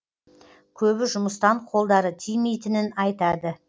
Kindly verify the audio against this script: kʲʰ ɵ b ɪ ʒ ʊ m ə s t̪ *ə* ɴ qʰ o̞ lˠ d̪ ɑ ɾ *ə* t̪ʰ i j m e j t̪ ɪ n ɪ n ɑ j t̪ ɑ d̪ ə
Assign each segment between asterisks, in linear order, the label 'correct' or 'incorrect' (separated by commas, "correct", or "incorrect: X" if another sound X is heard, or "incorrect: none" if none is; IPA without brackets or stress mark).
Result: incorrect: ɑ, correct